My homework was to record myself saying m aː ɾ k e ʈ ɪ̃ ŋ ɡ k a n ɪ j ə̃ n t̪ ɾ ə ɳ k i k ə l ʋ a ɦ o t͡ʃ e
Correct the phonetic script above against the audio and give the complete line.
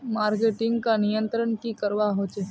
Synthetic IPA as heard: m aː ɾ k e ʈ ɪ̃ ŋ ɡ k a n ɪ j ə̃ n t̪ ɾ ə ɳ k i k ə ɾ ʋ a ɦ o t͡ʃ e